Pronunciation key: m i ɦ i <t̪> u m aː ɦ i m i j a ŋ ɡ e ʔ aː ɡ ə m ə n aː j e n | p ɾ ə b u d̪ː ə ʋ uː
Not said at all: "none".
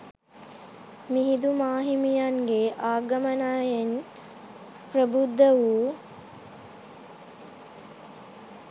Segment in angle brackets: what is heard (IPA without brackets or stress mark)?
d̪